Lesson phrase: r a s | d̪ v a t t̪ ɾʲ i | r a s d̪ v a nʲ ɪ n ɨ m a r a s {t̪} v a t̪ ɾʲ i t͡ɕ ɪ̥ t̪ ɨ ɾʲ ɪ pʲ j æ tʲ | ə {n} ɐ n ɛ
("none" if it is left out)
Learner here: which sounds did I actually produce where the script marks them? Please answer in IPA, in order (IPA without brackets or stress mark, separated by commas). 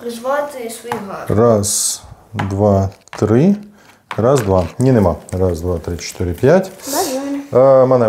d̪, m